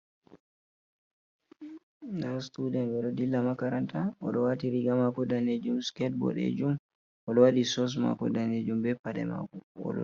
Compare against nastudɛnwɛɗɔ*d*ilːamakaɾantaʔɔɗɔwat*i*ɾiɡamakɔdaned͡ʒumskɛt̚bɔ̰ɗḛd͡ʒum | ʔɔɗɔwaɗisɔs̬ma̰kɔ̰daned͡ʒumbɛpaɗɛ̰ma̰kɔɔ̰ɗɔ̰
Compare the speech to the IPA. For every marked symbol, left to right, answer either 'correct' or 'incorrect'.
correct, correct

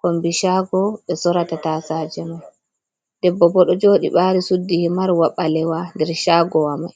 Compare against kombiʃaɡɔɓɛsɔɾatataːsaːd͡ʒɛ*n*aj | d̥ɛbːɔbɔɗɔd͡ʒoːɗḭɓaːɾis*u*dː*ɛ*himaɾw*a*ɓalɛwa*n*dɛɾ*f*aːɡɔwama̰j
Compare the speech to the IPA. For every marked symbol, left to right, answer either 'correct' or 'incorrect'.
incorrect: m, correct, incorrect: i, correct, correct, incorrect: ʃ

